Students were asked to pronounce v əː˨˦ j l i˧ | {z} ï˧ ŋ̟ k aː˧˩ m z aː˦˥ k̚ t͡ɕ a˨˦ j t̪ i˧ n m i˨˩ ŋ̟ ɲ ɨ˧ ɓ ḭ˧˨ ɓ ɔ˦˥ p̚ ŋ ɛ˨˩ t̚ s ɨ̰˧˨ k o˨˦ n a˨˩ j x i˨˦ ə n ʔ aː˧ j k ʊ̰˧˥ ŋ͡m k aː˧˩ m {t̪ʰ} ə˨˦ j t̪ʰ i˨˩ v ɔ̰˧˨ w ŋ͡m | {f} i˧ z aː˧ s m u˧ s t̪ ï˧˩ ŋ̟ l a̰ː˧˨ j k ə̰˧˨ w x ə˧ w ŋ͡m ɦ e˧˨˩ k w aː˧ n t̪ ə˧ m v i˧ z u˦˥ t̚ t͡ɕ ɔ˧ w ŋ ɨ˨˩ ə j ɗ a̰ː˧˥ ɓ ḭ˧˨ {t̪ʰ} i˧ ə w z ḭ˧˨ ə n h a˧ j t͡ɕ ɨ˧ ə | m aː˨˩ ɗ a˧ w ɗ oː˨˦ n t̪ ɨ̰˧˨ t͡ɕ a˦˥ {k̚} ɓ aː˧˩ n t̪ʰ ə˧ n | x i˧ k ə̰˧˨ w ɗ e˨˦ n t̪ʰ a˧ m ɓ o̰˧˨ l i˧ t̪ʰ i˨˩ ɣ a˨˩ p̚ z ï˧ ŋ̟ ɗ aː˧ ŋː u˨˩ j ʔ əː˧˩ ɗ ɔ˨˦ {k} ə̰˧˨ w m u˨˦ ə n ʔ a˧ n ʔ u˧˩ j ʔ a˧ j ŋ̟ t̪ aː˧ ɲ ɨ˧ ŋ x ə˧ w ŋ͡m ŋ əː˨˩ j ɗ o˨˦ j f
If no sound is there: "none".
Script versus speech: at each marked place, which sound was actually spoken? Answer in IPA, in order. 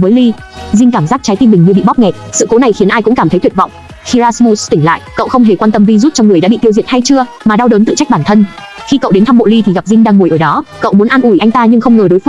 z, t̪, x, t̪, k̚, k

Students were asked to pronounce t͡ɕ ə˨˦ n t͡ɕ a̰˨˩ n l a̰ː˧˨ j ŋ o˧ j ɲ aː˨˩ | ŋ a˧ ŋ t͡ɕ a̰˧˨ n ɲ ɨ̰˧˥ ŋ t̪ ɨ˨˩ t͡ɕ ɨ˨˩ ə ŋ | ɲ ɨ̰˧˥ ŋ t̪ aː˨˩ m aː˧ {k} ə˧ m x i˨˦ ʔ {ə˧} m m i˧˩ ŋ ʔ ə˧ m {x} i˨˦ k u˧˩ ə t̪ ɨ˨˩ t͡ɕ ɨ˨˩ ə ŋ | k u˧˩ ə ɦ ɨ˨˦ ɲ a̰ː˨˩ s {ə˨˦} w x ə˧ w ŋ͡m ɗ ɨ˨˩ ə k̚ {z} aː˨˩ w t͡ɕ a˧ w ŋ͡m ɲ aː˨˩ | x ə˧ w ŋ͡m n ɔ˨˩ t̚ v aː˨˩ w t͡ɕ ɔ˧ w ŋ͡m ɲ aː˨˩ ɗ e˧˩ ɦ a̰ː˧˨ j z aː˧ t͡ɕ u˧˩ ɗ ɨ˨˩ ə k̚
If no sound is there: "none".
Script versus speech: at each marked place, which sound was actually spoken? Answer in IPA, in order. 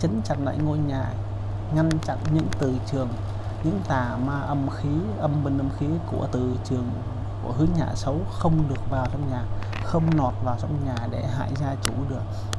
ʔ, ə˧, x, ə˨˦, v

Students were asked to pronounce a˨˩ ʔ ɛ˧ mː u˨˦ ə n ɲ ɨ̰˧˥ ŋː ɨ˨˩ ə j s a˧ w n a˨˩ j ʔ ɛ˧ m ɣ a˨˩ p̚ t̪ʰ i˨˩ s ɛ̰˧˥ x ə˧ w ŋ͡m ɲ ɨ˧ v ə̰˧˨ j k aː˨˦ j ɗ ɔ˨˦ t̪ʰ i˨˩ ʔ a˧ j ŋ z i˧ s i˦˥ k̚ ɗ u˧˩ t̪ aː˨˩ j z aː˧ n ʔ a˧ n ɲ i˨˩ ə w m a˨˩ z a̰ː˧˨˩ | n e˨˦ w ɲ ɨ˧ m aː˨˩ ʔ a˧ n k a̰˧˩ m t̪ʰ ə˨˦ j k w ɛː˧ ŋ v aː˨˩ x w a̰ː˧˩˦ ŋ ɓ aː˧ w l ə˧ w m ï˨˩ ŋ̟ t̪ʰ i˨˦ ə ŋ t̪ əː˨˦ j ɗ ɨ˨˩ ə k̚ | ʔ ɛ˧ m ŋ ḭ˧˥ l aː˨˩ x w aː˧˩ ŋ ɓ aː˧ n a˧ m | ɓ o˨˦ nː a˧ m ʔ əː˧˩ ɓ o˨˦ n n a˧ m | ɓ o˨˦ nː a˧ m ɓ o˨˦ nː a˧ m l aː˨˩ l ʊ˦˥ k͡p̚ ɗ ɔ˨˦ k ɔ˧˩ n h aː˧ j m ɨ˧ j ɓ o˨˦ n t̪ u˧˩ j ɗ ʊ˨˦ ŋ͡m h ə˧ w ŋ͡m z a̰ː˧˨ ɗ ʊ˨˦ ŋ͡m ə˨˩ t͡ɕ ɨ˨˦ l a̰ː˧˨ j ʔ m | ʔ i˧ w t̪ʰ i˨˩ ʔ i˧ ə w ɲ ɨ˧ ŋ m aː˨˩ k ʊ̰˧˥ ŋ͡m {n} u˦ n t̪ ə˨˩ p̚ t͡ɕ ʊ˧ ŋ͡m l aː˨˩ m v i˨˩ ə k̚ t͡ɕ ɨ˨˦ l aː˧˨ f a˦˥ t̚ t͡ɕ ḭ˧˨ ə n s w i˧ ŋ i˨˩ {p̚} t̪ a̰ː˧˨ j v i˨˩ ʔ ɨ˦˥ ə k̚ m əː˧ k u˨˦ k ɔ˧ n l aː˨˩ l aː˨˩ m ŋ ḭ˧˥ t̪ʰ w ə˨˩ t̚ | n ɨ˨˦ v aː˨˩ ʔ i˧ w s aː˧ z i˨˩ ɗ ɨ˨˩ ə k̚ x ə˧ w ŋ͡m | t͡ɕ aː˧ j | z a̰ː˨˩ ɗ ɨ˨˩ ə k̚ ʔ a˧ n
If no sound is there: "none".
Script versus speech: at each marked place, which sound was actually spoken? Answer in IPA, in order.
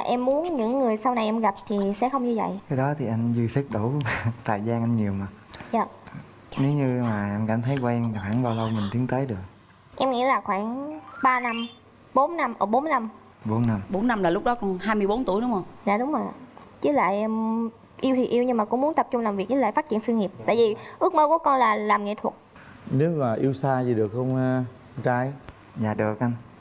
m, p̚

